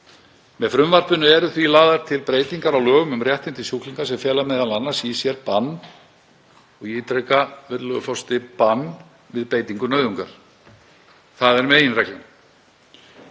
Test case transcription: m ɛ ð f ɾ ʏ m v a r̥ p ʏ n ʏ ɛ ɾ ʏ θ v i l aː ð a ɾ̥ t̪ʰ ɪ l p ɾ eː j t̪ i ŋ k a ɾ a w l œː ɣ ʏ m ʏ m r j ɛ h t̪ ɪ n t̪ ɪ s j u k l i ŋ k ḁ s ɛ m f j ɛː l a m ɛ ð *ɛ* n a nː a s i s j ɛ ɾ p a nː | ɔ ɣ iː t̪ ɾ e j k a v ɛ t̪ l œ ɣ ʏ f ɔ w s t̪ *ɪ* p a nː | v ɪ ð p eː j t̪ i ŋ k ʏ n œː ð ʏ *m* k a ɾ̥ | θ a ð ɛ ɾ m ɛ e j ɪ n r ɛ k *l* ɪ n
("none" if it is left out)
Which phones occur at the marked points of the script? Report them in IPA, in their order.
a, ɪ, ŋ, l

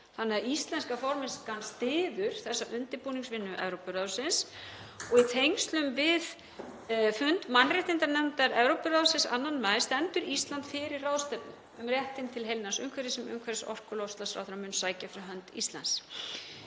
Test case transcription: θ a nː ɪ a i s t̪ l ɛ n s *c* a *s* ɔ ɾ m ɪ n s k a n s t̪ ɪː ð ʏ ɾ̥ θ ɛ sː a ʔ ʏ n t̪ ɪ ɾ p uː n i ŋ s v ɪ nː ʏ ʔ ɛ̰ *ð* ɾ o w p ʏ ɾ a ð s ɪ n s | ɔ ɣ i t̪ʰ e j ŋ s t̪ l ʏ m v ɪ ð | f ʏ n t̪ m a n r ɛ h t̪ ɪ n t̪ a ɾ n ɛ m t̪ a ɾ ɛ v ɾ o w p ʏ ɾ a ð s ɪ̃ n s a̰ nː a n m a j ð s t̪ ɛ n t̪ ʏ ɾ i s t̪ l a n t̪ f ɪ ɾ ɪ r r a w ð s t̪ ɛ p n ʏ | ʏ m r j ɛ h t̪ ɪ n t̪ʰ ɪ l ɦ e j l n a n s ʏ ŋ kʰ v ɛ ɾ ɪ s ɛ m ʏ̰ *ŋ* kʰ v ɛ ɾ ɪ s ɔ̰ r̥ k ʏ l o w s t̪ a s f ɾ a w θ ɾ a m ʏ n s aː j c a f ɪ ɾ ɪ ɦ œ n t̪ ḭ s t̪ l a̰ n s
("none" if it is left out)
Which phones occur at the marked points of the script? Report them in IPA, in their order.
k, f, v, ŋ

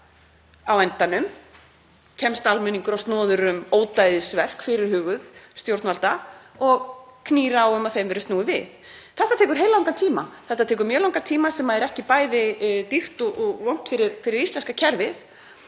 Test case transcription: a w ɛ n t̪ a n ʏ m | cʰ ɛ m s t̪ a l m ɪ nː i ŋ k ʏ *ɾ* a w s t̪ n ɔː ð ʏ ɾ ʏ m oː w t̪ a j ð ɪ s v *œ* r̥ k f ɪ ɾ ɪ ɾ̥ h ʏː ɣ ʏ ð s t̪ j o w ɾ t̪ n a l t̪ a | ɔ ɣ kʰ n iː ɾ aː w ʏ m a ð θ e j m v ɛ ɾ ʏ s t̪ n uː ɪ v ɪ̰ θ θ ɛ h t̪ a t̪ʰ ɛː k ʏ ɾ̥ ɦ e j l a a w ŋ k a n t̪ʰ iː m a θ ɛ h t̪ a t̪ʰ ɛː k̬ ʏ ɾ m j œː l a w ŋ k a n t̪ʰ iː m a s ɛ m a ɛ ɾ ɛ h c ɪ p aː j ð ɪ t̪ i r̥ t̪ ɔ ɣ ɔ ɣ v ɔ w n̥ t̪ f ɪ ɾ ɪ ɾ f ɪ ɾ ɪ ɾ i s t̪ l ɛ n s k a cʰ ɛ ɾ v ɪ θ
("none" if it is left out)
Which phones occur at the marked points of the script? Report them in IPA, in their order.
ɾ, ɛ

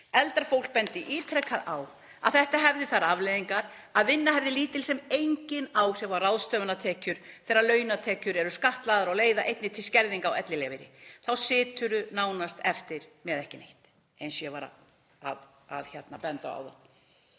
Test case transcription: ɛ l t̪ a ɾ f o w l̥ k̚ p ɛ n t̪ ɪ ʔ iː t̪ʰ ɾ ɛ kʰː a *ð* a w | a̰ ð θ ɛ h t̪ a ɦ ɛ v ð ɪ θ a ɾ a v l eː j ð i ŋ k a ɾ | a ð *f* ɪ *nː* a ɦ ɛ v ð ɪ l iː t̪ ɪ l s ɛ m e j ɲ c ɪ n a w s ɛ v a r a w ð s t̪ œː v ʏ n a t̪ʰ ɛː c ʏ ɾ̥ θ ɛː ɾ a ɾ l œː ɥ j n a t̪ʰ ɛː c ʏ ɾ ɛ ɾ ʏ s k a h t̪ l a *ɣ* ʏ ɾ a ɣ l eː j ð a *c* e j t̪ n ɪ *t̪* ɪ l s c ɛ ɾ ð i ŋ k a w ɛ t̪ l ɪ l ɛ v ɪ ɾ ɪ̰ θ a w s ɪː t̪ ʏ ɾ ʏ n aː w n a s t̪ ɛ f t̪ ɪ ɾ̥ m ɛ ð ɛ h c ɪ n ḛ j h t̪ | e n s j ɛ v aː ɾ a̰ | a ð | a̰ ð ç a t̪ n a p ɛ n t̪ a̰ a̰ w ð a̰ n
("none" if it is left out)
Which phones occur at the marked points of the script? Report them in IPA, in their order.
ð, v, nː, ð, ʔ, t̪ʰ

